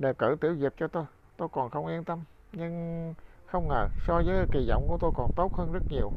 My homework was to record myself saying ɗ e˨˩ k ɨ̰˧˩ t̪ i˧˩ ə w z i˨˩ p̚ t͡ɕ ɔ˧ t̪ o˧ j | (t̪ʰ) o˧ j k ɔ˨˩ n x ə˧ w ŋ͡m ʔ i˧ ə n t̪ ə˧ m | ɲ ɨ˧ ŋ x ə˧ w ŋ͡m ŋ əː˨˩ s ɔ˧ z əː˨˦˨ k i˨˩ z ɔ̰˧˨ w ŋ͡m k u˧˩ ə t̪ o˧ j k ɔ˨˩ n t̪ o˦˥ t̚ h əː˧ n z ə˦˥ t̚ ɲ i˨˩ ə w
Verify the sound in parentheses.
incorrect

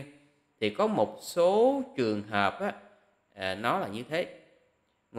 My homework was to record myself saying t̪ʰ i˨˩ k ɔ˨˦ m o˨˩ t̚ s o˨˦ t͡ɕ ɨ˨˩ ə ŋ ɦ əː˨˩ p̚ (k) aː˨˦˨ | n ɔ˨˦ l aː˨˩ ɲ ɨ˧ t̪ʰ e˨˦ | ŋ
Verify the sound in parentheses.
incorrect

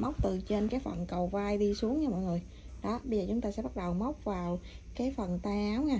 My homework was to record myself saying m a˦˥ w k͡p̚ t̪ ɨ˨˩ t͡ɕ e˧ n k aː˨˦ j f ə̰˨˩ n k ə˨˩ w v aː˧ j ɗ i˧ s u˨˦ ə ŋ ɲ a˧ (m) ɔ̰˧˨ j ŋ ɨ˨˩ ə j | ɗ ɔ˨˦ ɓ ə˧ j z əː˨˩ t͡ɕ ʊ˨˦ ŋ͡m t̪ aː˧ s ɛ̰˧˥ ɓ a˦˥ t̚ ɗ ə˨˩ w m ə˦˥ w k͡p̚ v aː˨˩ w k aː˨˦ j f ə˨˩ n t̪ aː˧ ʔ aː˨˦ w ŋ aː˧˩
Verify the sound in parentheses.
correct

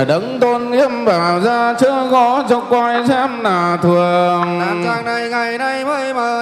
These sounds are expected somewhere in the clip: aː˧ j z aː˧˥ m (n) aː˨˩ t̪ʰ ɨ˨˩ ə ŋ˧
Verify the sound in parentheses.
correct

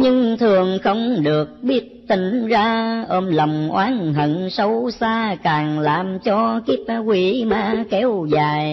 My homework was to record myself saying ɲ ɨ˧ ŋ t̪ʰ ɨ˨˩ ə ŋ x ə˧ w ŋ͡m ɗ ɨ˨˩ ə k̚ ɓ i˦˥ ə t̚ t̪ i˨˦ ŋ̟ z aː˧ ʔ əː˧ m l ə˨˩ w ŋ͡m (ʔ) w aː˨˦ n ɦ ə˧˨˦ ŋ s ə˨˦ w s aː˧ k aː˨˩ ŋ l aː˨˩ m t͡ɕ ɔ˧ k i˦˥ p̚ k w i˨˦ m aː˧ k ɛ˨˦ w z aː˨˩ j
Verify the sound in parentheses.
correct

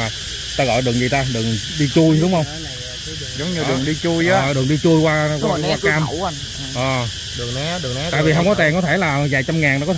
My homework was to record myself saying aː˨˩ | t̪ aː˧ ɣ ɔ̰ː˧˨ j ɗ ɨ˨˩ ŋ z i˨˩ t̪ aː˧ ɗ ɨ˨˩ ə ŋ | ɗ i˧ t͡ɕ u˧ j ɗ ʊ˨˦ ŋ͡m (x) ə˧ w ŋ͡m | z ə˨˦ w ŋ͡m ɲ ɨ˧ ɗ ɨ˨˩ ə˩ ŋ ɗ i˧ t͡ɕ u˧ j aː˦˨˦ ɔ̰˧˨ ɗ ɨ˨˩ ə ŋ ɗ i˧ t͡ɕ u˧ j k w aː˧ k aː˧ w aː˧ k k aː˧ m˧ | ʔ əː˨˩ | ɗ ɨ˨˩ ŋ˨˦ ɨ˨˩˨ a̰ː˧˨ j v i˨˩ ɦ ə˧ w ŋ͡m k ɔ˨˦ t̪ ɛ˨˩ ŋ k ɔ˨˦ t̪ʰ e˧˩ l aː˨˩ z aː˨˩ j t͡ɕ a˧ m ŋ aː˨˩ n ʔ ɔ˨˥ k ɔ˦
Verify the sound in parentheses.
incorrect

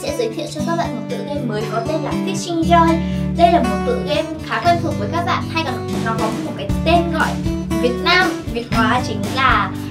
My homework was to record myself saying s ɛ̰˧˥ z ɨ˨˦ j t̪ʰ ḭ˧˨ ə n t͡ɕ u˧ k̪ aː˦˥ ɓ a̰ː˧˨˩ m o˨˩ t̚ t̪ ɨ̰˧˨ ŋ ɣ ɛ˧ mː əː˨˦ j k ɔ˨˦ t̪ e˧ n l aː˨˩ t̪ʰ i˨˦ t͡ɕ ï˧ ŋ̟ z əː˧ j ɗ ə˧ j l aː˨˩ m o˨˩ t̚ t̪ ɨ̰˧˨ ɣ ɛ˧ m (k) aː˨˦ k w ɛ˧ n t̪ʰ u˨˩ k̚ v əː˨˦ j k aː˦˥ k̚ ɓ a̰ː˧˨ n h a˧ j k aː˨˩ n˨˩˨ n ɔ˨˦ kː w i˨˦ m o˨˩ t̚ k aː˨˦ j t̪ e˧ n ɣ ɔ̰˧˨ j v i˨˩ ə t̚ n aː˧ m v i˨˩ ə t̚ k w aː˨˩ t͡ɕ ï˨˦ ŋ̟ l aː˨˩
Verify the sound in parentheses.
incorrect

